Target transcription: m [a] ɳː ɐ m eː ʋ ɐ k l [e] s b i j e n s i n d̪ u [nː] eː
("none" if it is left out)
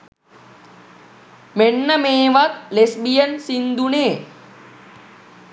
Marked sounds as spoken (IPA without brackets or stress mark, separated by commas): e, e, n